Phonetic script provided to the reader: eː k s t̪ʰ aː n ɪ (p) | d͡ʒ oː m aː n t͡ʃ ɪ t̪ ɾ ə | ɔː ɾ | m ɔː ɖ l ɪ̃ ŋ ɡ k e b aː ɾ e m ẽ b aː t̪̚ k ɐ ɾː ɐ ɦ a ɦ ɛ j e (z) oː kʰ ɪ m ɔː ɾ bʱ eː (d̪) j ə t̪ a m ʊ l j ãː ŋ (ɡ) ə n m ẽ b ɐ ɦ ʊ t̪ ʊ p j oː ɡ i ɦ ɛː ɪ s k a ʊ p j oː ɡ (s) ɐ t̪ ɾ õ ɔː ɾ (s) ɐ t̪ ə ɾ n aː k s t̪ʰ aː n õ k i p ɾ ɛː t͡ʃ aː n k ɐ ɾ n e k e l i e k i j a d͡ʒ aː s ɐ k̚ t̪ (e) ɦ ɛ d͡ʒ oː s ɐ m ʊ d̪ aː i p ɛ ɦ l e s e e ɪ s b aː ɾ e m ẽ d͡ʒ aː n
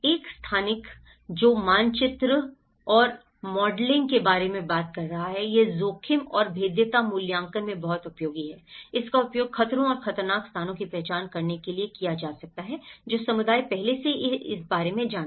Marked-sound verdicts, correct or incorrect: incorrect: k, correct, correct, incorrect: k, incorrect: x, incorrect: x, incorrect: a

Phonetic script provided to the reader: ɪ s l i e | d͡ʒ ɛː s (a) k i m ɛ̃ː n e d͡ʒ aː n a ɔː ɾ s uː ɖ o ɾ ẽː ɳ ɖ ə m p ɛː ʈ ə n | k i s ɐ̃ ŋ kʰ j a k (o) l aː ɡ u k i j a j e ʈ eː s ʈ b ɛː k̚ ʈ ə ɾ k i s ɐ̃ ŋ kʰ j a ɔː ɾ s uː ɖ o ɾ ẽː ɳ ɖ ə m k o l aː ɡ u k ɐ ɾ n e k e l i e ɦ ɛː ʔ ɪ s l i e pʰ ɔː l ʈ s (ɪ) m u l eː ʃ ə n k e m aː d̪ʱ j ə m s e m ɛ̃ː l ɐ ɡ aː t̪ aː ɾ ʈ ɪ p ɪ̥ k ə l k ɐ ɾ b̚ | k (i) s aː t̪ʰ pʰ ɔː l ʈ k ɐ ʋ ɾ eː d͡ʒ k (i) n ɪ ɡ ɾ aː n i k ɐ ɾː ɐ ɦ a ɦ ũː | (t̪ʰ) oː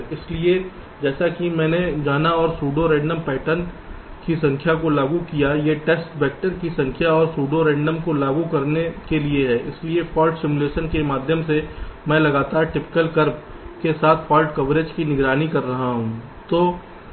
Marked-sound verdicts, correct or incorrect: correct, correct, correct, incorrect: e, correct, incorrect: t̪

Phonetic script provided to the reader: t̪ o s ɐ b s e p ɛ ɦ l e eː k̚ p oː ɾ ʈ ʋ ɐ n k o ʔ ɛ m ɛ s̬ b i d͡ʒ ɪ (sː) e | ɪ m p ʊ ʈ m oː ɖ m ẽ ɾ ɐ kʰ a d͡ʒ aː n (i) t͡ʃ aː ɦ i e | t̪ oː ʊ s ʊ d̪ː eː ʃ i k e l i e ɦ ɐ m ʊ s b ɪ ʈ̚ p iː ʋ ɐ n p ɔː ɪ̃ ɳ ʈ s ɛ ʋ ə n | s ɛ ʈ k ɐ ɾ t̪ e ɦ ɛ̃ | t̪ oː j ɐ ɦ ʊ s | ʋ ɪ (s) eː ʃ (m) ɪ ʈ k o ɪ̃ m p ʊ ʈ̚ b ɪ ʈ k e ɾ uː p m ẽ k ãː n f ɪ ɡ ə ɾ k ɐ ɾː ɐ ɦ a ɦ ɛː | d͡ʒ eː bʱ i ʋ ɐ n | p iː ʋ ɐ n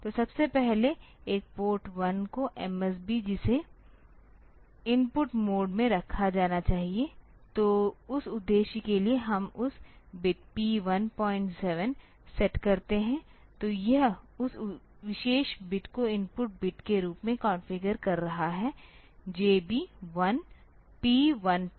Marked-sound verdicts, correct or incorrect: incorrect: s, incorrect: a, incorrect: ʃ, incorrect: b

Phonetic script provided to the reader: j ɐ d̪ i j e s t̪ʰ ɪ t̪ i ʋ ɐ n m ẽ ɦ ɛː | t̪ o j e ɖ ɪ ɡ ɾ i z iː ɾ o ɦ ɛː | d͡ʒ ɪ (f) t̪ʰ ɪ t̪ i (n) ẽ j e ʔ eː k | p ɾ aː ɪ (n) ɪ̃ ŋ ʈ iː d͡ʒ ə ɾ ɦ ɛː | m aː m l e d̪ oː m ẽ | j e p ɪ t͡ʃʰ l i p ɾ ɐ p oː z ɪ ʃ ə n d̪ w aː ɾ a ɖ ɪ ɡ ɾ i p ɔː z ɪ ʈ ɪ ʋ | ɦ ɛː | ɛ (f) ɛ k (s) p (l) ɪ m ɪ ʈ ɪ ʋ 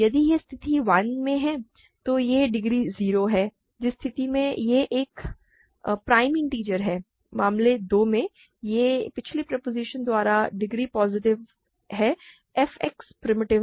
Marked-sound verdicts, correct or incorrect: incorrect: s, incorrect: m, incorrect: m, correct, correct, incorrect: ɾ

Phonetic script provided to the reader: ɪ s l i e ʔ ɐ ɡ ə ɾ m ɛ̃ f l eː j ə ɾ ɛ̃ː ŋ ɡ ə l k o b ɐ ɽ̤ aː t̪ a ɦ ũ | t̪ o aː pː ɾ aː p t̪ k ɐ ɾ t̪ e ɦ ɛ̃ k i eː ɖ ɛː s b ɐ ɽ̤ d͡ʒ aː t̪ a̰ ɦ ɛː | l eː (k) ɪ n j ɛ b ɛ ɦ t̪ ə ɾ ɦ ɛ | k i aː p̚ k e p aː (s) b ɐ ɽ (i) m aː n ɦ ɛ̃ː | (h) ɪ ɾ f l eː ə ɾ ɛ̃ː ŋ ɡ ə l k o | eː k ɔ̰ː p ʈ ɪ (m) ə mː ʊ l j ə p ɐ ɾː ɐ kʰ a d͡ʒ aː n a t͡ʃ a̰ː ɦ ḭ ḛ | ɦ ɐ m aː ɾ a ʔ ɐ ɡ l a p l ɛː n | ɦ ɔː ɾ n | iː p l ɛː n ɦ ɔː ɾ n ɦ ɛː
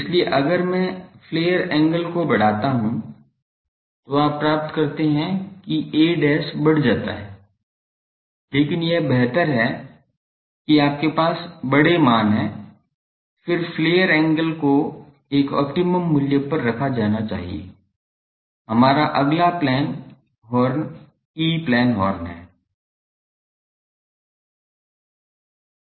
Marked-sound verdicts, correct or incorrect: correct, correct, incorrect: e, incorrect: f, correct

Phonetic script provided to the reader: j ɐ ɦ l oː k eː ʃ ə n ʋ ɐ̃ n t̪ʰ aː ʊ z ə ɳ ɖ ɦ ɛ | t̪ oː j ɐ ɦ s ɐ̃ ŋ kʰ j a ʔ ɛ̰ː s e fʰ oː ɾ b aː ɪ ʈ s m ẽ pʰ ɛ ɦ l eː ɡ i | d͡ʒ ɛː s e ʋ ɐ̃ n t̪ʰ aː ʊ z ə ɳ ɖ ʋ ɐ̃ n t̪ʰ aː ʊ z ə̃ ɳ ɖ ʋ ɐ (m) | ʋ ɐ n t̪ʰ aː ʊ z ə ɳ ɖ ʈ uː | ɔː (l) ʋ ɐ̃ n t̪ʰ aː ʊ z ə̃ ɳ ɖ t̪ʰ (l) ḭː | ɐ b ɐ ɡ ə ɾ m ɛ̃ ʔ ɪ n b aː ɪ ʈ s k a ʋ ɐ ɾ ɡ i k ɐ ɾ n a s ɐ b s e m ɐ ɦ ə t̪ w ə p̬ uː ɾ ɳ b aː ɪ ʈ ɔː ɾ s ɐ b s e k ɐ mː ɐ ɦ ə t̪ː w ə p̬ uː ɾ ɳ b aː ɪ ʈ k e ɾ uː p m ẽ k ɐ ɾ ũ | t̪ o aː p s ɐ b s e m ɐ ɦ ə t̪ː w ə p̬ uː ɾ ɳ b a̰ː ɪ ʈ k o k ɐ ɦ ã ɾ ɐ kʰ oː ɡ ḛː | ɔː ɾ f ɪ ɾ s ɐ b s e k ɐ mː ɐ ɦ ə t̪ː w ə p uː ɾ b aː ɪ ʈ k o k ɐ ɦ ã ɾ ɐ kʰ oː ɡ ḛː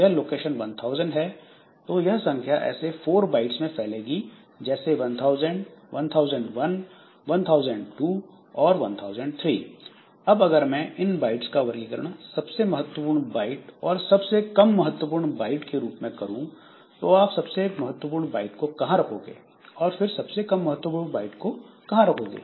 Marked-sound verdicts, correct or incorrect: incorrect: n, incorrect: ɾ, incorrect: ɾ

